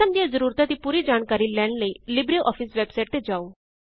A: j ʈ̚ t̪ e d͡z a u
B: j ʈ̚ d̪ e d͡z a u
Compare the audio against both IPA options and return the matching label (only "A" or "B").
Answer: A